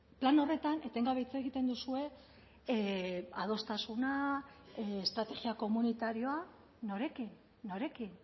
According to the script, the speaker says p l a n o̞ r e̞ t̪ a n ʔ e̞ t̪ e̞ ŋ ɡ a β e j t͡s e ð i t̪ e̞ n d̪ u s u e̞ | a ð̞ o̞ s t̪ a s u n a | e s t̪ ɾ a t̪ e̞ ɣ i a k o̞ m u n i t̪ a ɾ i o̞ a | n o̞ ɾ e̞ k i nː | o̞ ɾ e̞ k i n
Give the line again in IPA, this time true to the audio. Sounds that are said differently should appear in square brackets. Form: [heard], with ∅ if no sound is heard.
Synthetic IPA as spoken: p l a n o̞ r e̞ t̪ a n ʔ e̞ t̪ e̞ ŋ ɡ a β e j t͡s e [ɣ] i t̪ e̞ n d̪ u s u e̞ | a ð̞ o̞ s t̪ a s u n a | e s t̪ ɾ a t̪ e̞ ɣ i a k o̞ m u n i t̪ a ɾ i o̞ a | n o̞ ɾ e̞ k i nː | o̞ ɾ e̞ k i n